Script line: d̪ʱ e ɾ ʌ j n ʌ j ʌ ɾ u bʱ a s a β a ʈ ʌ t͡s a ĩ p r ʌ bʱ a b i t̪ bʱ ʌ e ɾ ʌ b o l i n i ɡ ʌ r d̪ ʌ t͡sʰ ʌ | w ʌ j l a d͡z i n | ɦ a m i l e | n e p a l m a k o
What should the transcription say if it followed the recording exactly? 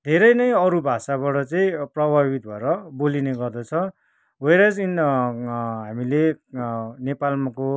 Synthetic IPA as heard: d̪ʱ e ɾ ʌ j n ʌ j ʌ ɾ u bʱ a s a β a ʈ ʌ t͡s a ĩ p r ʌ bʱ a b i t̪ bʱ ʌ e ɾ ʌ b o l i n e ɡ ʌ r d̪ ʌ t͡sʰ ʌ | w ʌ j ɾ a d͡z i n | ɦ a m i l e | n e p a l m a k o